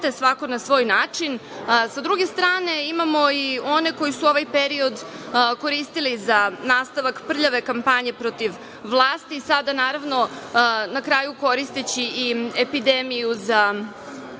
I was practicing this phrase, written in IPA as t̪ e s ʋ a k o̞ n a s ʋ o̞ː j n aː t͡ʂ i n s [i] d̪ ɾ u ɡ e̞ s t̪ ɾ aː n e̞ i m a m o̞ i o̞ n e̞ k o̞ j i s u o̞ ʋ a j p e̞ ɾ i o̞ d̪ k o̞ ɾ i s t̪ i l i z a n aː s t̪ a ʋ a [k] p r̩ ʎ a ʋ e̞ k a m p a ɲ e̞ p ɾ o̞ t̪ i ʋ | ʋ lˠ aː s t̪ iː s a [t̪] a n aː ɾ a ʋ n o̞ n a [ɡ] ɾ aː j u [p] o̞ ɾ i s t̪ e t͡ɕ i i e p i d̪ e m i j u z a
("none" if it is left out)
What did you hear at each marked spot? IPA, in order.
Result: a, k, d̪, k, k

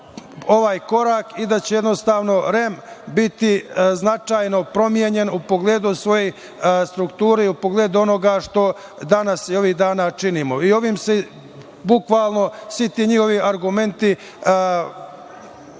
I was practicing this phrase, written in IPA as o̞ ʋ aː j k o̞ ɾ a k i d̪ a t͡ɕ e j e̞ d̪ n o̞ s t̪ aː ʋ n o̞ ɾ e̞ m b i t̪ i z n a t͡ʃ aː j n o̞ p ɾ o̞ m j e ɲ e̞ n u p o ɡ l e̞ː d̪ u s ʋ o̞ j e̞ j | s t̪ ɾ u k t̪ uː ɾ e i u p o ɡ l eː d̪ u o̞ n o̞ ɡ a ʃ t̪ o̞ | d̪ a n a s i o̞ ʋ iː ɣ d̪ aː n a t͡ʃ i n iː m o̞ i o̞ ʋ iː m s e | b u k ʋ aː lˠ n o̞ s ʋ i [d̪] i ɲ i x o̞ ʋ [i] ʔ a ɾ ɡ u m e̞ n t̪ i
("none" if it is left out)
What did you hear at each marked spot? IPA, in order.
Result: t̪, i

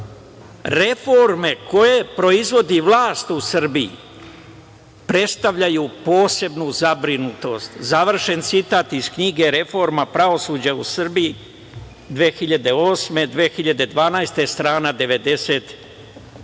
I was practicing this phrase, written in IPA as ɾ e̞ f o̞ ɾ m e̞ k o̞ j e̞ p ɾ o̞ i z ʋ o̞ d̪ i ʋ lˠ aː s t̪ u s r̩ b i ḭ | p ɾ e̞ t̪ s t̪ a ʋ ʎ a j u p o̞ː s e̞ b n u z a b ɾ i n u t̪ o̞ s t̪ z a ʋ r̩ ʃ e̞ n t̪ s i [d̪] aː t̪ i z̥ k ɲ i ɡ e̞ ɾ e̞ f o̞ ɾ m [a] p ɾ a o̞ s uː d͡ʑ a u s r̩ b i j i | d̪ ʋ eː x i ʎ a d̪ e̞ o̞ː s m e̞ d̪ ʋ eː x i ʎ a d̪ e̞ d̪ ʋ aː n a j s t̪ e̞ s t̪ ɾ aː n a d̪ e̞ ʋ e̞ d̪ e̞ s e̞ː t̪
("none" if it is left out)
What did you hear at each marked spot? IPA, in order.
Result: t̪, a

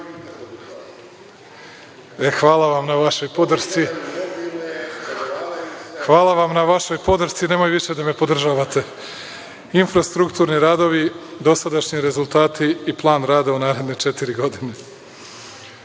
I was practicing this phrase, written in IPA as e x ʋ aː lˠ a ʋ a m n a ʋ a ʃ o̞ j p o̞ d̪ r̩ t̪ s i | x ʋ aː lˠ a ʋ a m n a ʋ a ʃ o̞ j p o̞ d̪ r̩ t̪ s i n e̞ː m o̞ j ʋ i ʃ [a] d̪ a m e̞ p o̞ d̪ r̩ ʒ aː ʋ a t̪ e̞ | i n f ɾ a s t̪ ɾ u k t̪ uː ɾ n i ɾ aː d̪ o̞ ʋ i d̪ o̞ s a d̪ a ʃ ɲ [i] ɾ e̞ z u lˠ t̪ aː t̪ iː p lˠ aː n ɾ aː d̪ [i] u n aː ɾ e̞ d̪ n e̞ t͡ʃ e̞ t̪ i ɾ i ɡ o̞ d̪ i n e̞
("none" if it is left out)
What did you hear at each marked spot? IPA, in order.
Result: e, i, a

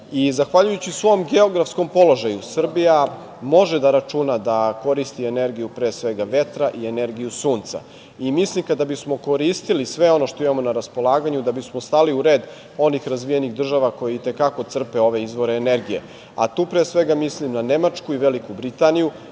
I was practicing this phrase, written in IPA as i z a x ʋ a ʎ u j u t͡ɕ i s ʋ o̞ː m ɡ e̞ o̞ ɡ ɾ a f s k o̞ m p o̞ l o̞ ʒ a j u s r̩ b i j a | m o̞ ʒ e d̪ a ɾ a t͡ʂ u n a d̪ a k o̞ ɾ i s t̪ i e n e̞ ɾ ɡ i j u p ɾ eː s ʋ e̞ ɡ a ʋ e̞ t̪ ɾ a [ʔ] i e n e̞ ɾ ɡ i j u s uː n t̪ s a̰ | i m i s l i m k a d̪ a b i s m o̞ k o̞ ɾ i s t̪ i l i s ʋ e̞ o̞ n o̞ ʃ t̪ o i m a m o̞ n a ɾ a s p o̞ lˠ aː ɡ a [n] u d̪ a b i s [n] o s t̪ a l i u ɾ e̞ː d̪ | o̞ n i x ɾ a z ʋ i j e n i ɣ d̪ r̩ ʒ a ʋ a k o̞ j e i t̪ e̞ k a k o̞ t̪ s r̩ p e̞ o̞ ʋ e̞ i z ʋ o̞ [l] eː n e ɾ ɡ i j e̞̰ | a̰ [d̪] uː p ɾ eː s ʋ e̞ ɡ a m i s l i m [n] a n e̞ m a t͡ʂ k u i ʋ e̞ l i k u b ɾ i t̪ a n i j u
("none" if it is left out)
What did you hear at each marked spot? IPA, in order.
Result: ʔ, ɲ, m, ɾ, t̪, n

